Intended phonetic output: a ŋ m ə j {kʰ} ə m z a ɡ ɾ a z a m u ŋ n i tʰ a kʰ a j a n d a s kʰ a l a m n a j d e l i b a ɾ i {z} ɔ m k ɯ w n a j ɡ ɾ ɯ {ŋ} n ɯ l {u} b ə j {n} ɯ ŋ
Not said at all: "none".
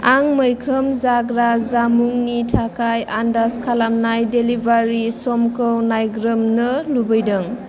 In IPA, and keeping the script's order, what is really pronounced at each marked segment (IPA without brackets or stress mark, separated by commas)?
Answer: kʰ, s, m, u, d